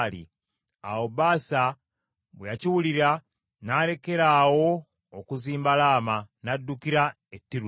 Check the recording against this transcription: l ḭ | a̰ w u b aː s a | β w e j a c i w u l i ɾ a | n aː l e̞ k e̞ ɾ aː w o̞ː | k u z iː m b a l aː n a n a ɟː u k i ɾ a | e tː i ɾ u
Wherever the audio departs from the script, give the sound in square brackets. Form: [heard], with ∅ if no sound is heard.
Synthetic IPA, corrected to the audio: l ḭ | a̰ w [o] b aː s a | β w e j a c i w u l i ɾ a | n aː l e̞ k e̞ ɾ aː w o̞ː | k u z iː m b a l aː [m] a n a [dː] u k i ɾ a | e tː i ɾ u